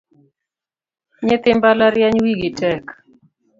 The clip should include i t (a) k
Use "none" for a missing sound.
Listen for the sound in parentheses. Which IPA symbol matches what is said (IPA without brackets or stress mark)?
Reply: ɛ